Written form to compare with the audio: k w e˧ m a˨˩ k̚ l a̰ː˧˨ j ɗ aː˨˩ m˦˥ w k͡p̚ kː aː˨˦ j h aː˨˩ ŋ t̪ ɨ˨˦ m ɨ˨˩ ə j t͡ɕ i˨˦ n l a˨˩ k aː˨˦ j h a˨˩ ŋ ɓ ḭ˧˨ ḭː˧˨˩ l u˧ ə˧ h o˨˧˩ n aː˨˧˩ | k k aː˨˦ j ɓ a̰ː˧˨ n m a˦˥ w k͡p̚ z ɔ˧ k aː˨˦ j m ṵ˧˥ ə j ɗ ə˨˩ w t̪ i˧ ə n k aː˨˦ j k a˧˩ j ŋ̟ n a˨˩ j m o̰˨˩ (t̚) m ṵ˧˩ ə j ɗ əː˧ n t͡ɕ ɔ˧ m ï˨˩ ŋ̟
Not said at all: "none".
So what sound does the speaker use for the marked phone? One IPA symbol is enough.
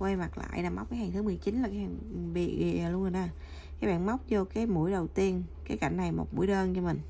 t̚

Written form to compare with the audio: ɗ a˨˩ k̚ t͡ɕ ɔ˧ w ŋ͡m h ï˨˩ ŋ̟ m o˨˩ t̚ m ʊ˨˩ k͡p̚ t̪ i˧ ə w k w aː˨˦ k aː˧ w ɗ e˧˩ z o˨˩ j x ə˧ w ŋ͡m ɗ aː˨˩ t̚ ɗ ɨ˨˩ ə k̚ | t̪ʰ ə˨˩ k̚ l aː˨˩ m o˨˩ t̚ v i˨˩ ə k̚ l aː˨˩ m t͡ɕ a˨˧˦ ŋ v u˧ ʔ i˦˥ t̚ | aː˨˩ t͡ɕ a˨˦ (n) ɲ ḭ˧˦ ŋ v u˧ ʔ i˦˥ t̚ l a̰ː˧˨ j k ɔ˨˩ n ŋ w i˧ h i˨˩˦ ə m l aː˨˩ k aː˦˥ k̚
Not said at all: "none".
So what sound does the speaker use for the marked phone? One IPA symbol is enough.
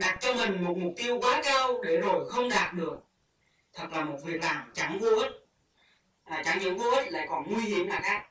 ŋ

